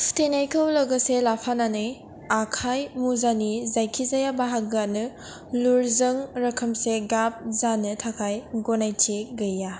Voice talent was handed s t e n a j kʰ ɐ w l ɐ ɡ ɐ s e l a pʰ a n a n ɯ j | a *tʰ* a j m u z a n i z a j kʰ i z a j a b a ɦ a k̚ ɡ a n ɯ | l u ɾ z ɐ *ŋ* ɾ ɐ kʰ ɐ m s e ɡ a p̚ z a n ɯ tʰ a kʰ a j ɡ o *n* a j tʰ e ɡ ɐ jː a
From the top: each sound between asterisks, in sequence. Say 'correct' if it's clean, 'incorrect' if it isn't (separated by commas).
incorrect, correct, correct